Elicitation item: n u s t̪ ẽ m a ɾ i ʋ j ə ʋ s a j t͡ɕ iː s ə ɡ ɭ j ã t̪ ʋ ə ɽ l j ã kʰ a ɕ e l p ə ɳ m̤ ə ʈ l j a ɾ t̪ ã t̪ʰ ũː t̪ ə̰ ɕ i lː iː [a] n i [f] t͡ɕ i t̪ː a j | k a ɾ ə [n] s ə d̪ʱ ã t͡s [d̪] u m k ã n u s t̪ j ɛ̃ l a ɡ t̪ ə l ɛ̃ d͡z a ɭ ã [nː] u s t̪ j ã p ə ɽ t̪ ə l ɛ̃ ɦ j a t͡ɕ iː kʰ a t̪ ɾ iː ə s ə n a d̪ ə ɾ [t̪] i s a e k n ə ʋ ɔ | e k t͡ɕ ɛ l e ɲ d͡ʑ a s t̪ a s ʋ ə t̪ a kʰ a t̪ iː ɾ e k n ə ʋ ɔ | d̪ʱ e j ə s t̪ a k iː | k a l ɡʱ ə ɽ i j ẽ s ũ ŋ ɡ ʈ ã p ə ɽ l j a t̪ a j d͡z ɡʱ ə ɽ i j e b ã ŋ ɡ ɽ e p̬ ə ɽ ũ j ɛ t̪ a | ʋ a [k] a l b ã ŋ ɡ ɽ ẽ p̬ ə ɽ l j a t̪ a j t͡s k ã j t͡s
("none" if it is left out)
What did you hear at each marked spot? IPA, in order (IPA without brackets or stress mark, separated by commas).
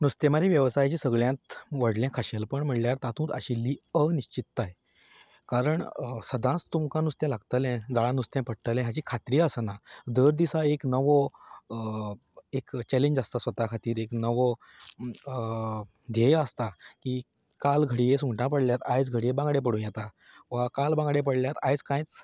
ə, ɕ, ɳ, t̪, n, d̪, k